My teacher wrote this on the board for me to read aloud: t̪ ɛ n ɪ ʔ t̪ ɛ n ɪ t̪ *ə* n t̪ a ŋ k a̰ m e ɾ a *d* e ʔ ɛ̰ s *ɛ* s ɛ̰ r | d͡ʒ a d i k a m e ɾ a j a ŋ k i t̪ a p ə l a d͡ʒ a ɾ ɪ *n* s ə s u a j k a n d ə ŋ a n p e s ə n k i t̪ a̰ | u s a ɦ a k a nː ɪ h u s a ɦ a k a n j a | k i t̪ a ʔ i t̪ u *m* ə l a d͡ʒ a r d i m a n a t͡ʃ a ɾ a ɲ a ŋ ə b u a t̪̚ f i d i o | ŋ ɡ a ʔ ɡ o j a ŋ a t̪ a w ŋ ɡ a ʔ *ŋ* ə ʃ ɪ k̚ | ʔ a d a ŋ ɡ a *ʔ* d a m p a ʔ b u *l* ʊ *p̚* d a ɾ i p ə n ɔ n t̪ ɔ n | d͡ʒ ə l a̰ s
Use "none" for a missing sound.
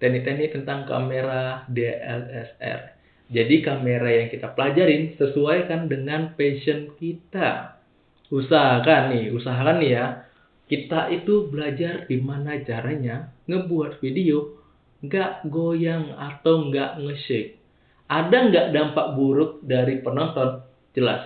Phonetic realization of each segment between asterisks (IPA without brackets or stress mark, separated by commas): ə, d, ɛ, n, b, ŋ, ʔ, ɾ, k̚